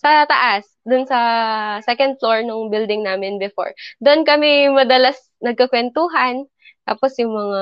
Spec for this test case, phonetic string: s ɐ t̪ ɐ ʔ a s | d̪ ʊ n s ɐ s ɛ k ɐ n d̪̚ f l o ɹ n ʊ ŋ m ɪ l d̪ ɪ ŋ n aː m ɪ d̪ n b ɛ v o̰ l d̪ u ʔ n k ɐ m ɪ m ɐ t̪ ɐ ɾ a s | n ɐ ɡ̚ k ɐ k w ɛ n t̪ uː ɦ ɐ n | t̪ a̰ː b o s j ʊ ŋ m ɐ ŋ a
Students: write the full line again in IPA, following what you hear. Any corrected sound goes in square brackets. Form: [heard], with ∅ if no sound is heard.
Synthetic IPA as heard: s ɐ t̪ ɐ ʔ a s | d̪ ʊ n s ɐ s ɛ k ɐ n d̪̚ f l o ɹ n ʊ ŋ [b] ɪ l d̪ ɪ ŋ n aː m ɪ [∅] n b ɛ [f] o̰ [ɹ] d̪ [o] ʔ n k ɐ m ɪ m ɐ [d̪] ɐ [l] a s | n ɐ ɡ̚ k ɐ k w ɛ n t̪ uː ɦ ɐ n | t̪ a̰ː [p] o s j ʊ ŋ m ɐ ŋ a